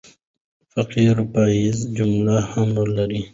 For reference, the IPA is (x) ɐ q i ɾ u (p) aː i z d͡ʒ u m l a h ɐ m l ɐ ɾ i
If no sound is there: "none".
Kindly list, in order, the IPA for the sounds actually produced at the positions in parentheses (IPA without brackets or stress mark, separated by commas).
f, p